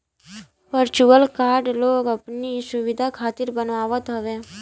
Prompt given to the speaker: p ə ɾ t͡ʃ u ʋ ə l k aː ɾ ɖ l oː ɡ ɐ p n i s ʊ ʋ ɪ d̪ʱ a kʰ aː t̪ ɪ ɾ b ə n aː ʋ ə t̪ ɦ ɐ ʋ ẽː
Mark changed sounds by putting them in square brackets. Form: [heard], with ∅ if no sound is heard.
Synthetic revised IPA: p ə ɾ t͡ʃ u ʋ ə l k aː ɾ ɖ l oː ɡ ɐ p n i s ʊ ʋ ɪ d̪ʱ a kʰ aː t̪ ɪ ɾ b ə n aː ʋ ə t̪ ɦ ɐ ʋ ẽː